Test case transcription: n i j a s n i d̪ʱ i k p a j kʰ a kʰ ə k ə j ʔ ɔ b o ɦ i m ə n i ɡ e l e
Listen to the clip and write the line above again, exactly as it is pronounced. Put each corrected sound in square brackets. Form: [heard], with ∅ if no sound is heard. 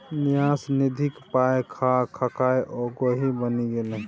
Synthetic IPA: n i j a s n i d̪ʱ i k p a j kʰ a kʰ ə k [a] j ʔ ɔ [ɡ] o ɦ i [b] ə n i ɡ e l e